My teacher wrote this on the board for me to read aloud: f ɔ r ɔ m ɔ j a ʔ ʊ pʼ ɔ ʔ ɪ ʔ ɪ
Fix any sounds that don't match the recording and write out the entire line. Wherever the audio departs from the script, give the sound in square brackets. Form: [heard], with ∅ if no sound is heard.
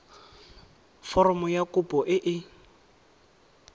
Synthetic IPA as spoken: f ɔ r ɔ m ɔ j a [k] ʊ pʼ ɔ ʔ ɪ ʔ ɪ